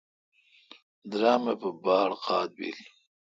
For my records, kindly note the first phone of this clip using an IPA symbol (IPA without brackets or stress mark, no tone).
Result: d̪